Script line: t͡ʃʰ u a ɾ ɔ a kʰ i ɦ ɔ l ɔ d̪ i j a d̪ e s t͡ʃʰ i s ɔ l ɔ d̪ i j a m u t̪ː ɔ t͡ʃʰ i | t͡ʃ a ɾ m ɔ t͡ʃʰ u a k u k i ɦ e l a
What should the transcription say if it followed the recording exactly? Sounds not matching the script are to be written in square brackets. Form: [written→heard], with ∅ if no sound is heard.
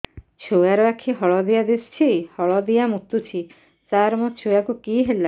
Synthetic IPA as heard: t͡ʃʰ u a ɾ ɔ a kʰ i ɦ ɔ [l→ɭ] ɔ d̪ i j a d̪ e s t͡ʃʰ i [s→h] ɔ [l→ɭ] ɔ d̪ i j a m u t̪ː [ɔ→u] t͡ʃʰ i | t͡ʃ a ɾ m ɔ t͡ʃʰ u a k u k i ɦ e l a